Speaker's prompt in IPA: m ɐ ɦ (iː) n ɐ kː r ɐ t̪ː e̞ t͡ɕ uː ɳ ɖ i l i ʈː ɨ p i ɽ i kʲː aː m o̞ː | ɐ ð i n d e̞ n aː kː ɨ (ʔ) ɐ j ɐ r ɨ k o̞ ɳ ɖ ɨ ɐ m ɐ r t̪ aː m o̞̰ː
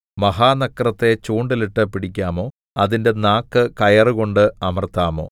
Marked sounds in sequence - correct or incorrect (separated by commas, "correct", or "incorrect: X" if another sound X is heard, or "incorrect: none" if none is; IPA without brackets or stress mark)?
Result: incorrect: aː, incorrect: k